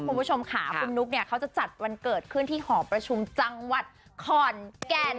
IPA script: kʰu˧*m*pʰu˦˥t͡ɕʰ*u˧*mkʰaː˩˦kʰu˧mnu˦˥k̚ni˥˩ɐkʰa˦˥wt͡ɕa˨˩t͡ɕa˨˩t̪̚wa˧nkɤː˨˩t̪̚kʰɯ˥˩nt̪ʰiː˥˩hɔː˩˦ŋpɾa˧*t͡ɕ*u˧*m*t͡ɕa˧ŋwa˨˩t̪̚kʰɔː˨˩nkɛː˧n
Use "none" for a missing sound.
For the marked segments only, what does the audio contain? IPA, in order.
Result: n, o˧, t͡ɕʰ, m

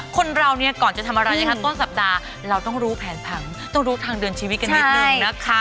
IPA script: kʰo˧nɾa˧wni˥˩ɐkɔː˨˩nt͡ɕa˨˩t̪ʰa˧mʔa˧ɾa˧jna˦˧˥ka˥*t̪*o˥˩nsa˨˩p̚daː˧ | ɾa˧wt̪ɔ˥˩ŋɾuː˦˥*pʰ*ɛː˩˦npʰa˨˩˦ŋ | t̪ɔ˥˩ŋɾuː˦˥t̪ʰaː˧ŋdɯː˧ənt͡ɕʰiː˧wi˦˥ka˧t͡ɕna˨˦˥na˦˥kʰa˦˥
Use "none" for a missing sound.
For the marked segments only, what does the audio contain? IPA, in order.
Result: t̪, pʰ

